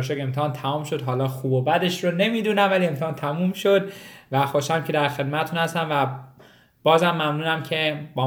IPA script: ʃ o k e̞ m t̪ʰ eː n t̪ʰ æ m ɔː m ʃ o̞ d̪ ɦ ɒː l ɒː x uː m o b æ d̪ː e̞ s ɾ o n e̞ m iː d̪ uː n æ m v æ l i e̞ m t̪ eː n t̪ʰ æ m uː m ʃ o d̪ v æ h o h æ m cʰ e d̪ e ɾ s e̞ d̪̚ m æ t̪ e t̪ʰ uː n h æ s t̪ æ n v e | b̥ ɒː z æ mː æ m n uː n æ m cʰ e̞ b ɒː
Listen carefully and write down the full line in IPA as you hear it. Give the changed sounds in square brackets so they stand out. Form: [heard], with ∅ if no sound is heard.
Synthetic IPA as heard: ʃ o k e̞ m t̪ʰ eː n t̪ʰ æ m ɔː m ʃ o̞ d̪ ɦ ɒː l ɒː x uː [b] o b æ [d̪] e̞ [ʃ] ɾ o n e̞ m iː d̪ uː n æ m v æ l i e̞ m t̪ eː n t̪ʰ æ m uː m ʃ o d̪ v æ [x] o [ʃ] æ m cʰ e d̪ [æ] ɾ [x] e̞ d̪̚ m æ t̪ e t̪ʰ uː n h æ s t̪ æ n v [æ] | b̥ ɒː z æ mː æ m n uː n æ m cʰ e̞ b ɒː